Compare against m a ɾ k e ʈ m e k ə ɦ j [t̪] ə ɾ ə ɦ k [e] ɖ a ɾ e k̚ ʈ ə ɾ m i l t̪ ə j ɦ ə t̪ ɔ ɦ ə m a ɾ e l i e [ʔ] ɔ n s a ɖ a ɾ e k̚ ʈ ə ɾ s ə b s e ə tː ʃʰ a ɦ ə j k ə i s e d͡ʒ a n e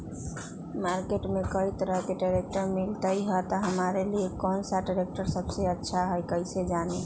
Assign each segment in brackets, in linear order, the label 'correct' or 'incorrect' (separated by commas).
correct, correct, incorrect